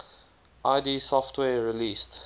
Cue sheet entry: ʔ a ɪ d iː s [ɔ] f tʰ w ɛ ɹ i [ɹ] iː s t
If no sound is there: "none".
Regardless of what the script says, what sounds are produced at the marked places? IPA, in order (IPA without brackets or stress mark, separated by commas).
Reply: ɔ, l